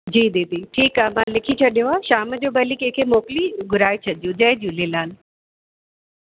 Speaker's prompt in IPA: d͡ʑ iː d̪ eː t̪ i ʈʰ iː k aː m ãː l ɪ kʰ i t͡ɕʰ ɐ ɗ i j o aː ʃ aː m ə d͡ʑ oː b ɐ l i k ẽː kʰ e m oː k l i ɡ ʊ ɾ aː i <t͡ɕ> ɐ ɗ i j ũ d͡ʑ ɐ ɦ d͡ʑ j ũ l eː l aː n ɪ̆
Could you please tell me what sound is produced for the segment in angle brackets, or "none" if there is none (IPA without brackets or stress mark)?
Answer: t͡ɕʰ